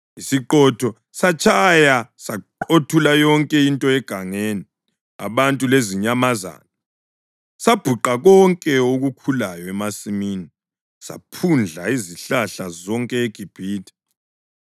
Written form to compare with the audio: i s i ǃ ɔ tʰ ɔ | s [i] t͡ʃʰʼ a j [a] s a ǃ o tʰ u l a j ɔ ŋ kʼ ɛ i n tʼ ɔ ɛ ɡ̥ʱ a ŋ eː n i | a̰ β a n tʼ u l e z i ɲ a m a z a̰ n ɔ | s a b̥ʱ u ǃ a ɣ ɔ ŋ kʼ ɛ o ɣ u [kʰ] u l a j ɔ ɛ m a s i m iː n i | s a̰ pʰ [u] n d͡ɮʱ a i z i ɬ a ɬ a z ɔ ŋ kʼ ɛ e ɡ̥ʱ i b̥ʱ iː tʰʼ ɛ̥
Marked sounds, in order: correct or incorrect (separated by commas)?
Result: incorrect, correct, correct, correct